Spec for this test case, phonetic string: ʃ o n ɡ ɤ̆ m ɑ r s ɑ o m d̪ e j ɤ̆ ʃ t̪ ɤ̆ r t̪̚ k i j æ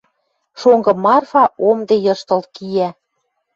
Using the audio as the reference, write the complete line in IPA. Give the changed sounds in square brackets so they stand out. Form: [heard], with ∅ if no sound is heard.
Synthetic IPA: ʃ o [ŋ] ɡ ɤ̆ m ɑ r [f] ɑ o m d̪ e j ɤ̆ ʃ t̪ ɤ̆ [l] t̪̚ k i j æ